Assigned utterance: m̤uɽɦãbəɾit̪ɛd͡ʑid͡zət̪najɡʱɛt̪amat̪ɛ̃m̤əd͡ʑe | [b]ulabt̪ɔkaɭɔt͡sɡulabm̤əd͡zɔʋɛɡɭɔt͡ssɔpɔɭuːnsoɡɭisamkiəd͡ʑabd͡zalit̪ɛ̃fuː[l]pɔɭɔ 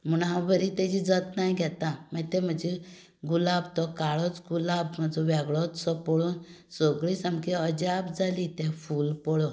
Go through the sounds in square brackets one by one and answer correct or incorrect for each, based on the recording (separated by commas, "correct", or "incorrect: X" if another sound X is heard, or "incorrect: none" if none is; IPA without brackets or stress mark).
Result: incorrect: ɡ, correct